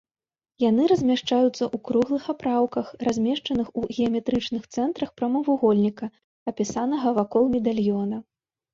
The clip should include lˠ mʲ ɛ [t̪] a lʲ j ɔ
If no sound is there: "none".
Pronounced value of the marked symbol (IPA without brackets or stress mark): d̪